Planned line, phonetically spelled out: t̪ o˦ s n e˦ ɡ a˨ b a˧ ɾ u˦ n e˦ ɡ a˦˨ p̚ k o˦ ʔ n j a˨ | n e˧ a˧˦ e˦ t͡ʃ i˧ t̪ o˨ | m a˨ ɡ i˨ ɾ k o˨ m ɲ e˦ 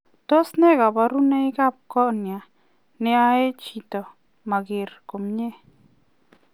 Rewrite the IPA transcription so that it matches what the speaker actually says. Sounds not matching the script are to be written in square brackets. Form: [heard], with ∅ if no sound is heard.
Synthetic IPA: t̪ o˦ s n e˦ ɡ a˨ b a˧ ɾ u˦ n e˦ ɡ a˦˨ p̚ k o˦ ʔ n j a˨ | n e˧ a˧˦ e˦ t͡ʃ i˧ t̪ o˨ | m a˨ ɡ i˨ ɾ k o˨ m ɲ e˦